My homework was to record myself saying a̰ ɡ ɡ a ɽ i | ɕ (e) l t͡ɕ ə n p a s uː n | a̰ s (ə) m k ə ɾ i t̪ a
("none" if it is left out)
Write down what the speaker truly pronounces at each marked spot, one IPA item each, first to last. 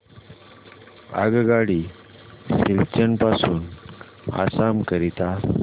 i, a

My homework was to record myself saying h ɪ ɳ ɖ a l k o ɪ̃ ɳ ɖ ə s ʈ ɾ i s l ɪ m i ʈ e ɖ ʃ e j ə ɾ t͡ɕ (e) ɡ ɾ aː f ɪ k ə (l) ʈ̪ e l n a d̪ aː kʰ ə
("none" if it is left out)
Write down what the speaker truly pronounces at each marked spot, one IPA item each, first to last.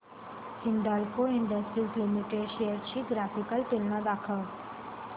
i, l

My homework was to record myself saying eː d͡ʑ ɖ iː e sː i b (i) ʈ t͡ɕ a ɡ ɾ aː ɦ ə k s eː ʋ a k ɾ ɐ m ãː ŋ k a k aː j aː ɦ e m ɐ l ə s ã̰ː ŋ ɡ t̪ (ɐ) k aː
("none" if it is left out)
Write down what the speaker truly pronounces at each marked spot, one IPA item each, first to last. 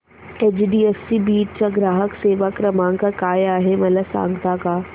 iː, a

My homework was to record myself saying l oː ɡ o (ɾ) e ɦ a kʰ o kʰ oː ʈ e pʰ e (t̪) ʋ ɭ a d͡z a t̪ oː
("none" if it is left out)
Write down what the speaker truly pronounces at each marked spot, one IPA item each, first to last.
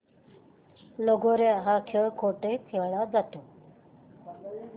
ɾ, none

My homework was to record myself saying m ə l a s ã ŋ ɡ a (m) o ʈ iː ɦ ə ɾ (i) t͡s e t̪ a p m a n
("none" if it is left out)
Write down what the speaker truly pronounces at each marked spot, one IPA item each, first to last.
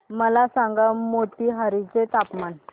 m, i

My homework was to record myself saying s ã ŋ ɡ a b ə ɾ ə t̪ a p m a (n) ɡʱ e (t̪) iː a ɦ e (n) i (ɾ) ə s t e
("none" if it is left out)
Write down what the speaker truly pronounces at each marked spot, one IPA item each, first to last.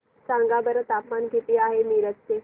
n, t̪, m, ɾ

